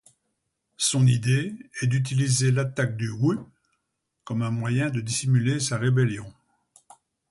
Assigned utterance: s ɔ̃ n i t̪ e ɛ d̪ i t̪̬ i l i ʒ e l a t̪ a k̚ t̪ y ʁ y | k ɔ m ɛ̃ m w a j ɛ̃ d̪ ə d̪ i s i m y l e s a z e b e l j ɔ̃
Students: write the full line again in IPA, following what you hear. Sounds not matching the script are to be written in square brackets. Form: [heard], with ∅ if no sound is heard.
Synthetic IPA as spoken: s ɔ̃ n i [d̪] e ɛ d̪ [y] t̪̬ i l i [z] e l a t̪ a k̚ [d̪] y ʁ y | k ɔ m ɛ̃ m w a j ɛ̃ d̪ ə d̪ i s i m y l e s a [ʁ] e b e l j ɔ̃